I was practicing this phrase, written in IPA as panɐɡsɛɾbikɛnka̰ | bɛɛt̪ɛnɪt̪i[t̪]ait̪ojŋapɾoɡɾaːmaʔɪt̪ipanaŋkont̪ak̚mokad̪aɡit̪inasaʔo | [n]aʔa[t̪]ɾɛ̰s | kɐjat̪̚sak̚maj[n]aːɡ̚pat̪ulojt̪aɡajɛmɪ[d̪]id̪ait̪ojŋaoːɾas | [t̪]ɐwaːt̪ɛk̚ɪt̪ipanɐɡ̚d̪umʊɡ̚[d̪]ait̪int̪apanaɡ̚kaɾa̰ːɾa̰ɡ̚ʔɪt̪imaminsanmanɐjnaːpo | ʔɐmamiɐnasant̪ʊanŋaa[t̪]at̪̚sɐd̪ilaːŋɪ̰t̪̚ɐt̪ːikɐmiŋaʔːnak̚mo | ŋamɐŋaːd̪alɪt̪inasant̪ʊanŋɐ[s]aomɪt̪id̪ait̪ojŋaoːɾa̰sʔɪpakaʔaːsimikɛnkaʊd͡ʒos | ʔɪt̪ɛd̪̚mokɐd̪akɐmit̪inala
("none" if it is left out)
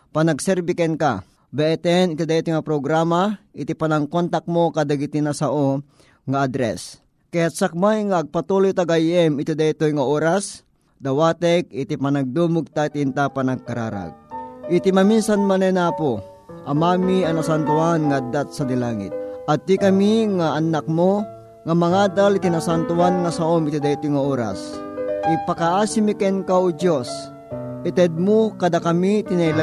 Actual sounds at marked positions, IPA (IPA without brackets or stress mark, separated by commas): d̪, ŋ, d̪, ŋ, t̪, d̪, t̪, d̪, s